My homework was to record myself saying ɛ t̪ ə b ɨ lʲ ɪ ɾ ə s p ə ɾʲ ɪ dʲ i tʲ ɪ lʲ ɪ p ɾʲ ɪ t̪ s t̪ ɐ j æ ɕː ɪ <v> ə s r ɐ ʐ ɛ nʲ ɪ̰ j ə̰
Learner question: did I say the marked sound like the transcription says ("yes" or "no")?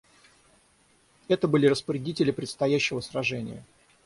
yes